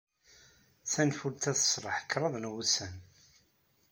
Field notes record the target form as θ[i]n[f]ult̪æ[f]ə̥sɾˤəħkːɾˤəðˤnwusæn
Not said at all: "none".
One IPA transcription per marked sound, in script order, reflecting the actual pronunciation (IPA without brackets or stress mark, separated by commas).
æ, f, θ